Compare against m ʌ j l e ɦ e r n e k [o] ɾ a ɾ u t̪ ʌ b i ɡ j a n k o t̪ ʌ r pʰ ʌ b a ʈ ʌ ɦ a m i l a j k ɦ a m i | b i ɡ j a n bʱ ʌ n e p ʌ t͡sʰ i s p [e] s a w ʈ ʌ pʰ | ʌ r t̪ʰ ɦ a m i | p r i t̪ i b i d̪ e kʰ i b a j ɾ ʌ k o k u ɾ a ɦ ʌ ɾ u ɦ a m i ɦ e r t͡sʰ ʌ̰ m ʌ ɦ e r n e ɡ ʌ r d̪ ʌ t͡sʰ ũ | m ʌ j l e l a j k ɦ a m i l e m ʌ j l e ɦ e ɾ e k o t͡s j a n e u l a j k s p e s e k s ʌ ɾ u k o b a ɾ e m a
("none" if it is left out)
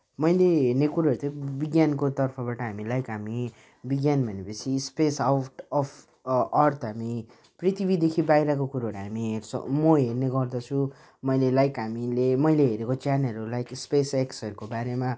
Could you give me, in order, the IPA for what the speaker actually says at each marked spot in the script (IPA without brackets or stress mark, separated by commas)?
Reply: u, e